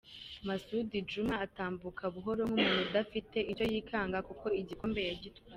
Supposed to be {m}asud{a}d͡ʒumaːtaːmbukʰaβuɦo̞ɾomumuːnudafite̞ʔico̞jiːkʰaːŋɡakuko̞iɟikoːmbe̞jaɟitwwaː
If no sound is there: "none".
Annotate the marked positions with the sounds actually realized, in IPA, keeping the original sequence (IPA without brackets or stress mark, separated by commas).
m, i